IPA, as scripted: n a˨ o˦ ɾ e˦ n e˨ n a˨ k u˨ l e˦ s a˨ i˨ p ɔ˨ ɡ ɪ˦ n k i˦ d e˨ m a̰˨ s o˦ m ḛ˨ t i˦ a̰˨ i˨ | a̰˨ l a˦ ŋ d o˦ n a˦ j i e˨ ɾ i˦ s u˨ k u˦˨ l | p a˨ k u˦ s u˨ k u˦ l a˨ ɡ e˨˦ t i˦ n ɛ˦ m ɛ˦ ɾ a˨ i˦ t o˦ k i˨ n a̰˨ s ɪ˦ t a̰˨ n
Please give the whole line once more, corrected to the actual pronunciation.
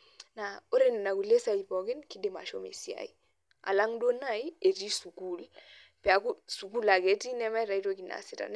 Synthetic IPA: n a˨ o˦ ɾ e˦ n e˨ n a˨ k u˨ l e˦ s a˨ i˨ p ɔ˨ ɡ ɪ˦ n k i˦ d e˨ m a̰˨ ʃ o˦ m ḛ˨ s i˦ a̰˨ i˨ | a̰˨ l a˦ ŋ d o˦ n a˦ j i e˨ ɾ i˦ s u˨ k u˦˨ l | p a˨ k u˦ s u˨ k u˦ l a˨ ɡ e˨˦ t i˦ n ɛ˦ m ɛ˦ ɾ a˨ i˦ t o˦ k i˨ n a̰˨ s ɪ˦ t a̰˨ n